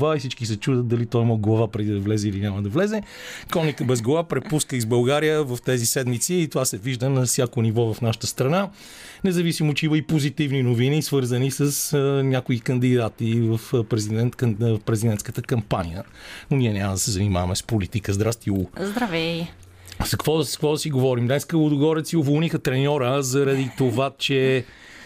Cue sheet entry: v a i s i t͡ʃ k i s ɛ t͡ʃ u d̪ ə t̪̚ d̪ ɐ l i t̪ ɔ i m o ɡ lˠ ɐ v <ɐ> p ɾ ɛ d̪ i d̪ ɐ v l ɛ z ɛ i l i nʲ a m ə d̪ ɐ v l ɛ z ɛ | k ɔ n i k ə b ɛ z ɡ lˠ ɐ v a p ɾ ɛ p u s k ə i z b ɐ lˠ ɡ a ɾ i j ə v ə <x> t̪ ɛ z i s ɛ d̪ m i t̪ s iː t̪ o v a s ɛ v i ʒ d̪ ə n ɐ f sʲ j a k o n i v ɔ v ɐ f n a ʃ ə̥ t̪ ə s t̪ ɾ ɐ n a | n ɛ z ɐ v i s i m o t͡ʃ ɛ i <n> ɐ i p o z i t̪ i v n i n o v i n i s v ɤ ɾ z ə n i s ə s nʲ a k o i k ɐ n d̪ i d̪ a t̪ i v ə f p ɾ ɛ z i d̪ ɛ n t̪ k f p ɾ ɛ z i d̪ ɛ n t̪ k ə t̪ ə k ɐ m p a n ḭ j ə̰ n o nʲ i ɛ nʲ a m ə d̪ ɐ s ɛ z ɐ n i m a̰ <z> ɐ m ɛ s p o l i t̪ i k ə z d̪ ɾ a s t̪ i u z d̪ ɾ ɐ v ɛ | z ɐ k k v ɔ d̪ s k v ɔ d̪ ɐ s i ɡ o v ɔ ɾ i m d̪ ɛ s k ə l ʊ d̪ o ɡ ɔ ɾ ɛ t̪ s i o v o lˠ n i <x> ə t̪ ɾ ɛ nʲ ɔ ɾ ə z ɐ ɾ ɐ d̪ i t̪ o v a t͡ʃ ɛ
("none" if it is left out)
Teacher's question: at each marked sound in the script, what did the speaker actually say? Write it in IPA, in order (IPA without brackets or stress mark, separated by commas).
a, f, m, v, x